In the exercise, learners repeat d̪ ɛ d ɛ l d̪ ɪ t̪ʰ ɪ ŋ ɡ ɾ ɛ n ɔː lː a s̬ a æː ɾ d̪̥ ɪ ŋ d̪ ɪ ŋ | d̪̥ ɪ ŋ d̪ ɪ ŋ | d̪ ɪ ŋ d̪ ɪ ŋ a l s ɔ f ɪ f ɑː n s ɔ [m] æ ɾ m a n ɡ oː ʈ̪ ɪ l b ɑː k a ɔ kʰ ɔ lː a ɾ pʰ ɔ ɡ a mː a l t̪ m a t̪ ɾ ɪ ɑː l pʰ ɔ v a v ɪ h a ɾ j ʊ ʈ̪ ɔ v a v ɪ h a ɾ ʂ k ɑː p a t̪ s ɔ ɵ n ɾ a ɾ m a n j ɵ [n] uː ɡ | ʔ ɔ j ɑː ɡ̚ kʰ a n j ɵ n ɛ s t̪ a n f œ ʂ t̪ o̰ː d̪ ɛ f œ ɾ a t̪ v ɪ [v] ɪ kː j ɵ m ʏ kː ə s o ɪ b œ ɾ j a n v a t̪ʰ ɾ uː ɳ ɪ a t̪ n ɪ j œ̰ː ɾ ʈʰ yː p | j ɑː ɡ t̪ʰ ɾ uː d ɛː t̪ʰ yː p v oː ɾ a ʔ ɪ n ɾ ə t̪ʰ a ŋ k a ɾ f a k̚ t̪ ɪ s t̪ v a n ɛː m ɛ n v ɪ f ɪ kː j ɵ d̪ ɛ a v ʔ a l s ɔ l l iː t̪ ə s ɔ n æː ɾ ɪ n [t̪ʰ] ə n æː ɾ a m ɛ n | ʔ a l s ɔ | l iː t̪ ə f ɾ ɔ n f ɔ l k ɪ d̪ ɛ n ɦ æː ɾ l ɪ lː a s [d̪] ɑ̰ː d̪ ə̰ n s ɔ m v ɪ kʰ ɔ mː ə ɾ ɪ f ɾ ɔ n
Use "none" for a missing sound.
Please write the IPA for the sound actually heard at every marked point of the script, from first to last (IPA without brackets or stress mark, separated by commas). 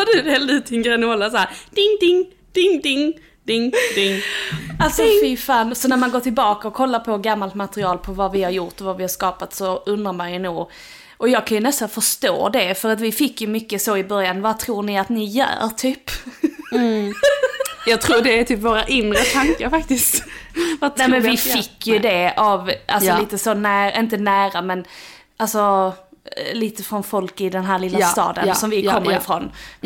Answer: n, n, f, t̪, t̪